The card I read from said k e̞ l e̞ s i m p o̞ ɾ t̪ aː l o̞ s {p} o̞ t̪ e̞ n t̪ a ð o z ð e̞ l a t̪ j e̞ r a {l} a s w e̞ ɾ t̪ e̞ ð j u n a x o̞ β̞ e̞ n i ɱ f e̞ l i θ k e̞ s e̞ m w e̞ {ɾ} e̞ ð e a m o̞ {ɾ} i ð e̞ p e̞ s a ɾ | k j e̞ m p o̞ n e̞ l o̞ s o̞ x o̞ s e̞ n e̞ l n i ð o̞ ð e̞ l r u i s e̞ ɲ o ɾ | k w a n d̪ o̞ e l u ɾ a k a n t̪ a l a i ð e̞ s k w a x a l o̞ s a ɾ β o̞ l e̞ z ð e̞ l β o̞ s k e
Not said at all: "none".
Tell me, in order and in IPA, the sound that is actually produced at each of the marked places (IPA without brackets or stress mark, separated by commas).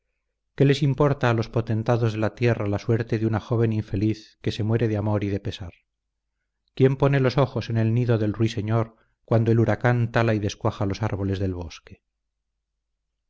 p, l, ɾ, ɾ